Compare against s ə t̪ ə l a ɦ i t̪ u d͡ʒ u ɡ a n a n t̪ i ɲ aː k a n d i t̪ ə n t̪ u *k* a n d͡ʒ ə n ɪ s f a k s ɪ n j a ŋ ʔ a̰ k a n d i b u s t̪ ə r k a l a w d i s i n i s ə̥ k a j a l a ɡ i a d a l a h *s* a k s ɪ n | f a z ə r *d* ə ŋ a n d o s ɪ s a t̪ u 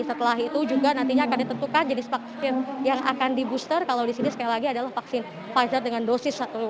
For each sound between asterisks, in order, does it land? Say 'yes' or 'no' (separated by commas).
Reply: yes, no, yes